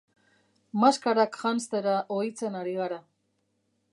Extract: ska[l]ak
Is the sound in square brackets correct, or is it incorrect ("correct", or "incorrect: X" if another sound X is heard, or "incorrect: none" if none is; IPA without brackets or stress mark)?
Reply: incorrect: ɾ